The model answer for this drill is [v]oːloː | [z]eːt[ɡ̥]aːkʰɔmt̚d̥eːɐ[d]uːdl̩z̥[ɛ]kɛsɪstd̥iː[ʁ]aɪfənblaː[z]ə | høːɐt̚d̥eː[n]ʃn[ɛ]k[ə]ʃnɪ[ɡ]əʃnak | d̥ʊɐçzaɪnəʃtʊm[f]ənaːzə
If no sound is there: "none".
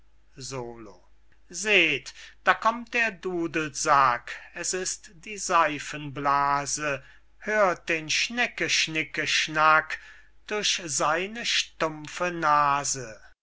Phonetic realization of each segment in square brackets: z, z, d̥, d, a, z, z, n, ɛ, ə, k, f

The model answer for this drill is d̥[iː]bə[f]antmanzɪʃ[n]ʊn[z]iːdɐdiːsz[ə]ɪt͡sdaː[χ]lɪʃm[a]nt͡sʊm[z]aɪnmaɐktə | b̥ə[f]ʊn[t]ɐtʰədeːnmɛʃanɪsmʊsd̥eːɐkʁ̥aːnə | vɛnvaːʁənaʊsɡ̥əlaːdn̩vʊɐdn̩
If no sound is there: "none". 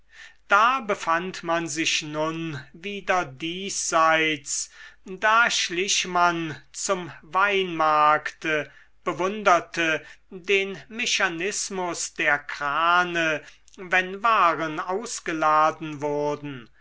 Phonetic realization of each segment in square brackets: aː, f, n, v, a, ʃ, a, v, v, d

